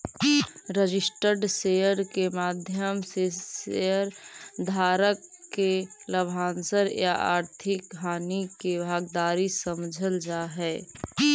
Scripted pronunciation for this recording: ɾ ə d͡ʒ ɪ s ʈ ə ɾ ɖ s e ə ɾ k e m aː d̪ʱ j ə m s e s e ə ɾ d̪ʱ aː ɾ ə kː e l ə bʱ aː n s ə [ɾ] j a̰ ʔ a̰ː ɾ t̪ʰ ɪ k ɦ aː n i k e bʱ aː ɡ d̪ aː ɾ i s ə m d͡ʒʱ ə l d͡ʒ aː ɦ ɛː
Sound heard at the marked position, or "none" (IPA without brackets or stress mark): ɾ